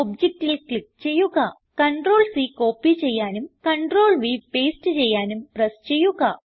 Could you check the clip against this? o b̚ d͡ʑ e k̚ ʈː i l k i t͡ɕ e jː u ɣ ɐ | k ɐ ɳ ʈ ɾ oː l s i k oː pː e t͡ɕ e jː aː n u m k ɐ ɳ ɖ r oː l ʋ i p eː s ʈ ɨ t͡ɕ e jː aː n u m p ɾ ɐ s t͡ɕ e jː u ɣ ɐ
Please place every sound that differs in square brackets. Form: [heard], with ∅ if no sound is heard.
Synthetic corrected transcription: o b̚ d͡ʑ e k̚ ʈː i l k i t͡ɕ e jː u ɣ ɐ | k ɐ ɳ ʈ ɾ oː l s i k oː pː [i] t͡ɕ e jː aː n u m k ɐ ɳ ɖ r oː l ʋ i p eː s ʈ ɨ t͡ɕ e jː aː n u m p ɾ ɐ s t͡ɕ e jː u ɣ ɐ

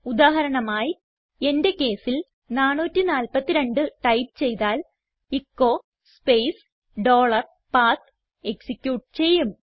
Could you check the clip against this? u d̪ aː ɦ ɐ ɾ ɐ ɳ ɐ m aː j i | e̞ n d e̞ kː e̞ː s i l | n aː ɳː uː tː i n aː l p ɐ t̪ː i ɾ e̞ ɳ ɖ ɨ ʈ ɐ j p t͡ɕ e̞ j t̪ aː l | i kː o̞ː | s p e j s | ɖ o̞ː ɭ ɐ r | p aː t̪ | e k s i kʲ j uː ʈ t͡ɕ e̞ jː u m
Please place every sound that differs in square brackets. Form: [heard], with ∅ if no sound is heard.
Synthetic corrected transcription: u d̪ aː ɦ ɐ ɾ ɐ ɳ ɐ m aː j i | e̞ n d e̞ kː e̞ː s i l | n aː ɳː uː tː i n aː l p ɐ t̪ː i ɾ e̞ ɳ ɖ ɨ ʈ ɐ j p t͡ɕ e̞ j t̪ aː l | i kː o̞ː | s p e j s | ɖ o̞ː ɭ ɐ r | p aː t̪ | e k s i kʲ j uː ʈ t͡ɕ e̞ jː u m

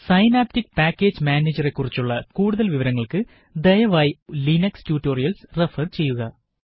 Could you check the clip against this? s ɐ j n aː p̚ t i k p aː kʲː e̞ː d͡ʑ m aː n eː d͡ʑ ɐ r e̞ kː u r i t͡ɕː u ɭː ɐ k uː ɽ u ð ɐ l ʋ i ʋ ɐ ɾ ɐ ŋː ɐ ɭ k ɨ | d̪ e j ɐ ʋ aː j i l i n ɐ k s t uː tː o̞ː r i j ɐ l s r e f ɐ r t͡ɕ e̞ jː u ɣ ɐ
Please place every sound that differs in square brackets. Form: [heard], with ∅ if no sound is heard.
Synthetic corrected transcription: s ɐ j n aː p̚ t i k p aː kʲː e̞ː d͡ʑ m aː n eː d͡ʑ ɐ r e̞ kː u r i t͡ɕː u ɭː ɐ k uː ɽ u ð ɐ l ʋ i ʋ ɐ ɾ ɐ ŋː ɐ ɭ k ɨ | d̪ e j ɐ ʋ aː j i l i n ɐ k s t uː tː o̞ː r i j ɐ l s r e f ɐ r t͡ɕ e̞ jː u ɣ ɐ

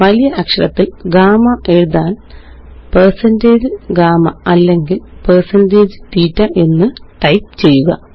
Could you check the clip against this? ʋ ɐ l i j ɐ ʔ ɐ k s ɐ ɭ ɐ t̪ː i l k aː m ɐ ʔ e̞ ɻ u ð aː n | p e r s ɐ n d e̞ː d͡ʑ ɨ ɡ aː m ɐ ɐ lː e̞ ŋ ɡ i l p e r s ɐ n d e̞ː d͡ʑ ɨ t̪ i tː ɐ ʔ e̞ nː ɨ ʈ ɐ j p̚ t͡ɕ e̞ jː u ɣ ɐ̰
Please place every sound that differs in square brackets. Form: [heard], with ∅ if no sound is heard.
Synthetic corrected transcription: ʋ ɐ l i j ɐ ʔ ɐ k [ʂ] ɐ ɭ ɐ t̪ː i l [ɡ] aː m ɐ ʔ e̞ ɻ u ð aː n | p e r s ɐ n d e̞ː d͡ʑ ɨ ɡ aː m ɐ ɐ lː e̞ ŋ ɡ i l p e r s ɐ n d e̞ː d͡ʑ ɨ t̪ [iː] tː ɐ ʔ e̞ nː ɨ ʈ ɐ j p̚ t͡ɕ e̞ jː u ɣ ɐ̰

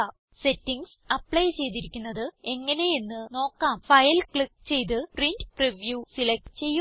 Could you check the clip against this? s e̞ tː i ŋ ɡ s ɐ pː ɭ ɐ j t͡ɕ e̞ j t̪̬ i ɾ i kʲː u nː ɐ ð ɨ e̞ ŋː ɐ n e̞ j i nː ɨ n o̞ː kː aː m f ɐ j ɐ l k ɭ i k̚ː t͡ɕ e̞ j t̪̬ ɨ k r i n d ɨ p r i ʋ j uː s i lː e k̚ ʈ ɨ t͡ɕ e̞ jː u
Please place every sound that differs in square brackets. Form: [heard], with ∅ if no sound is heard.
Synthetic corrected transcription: s e̞ tː i ŋ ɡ s ɐ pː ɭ ɐ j t͡ɕ e̞ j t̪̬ i ɾ i kʲː u nː ɐ ð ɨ e̞ ŋː ɐ n e̞ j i nː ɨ n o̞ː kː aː m f ɐ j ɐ l k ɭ i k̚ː t͡ɕ e̞ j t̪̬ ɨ [p] r i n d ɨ p r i ʋ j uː s i [l] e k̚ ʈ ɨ t͡ɕ e̞ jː u

